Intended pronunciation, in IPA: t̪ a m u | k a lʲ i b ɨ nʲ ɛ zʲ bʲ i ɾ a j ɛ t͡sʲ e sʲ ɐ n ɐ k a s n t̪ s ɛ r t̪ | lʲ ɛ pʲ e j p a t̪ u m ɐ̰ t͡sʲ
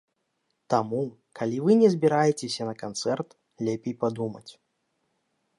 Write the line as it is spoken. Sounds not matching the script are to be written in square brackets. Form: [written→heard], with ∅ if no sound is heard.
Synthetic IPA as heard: t̪ a m u | k a lʲ i [b→v] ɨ nʲ ɛ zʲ bʲ i ɾ a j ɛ t͡sʲ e sʲ ɐ n ɐ k a [s→∅] n t̪ s ɛ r t̪ | lʲ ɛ pʲ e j p a [t̪→d̪] u m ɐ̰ t͡sʲ